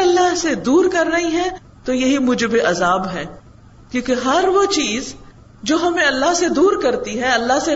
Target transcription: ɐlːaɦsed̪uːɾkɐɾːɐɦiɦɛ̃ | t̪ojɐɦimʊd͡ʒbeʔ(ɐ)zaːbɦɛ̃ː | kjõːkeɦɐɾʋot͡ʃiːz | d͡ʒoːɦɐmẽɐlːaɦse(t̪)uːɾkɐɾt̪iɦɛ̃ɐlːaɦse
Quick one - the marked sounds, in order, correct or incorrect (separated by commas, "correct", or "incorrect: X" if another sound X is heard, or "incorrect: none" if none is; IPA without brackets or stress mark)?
correct, incorrect: d̪